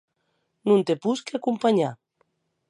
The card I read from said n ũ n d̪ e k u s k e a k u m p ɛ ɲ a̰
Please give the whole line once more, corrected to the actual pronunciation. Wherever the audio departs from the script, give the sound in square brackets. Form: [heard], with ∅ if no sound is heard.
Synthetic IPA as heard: n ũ n [t̪] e [p] u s k e a k u m p [a] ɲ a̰